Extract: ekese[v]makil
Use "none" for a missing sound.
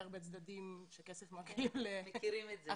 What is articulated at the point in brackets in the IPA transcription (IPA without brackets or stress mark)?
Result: f